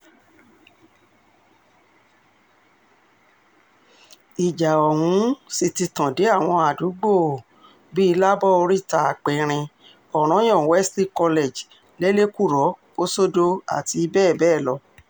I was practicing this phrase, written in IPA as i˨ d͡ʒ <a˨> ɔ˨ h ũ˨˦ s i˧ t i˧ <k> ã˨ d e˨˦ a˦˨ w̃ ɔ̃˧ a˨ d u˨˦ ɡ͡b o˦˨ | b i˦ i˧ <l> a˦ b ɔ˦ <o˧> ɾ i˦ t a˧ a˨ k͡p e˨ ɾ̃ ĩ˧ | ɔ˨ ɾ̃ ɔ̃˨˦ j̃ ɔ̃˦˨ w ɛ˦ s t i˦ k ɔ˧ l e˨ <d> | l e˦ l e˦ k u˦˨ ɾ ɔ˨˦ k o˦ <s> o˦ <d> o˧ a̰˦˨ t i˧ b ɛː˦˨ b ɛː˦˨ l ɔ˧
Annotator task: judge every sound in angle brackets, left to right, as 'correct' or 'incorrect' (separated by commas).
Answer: correct, incorrect, correct, correct, incorrect, correct, correct